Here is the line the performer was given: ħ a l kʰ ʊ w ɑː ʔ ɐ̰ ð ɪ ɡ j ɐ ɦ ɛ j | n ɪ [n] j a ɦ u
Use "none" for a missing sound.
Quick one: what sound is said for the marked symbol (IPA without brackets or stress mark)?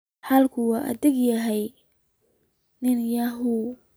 n